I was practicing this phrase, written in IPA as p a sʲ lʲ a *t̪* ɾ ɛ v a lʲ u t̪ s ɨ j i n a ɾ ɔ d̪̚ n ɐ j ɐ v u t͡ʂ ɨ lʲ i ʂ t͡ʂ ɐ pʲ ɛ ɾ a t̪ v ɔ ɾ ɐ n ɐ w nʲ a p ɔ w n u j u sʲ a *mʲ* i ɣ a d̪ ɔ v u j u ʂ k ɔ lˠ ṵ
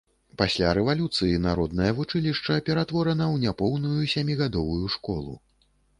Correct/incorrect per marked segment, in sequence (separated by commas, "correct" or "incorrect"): incorrect, correct